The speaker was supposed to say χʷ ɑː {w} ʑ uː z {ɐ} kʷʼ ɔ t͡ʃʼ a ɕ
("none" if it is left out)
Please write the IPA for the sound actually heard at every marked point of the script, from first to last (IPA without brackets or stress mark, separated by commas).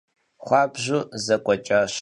b, ɐ